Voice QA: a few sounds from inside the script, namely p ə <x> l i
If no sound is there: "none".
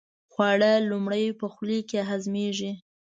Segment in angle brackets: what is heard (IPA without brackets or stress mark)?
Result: x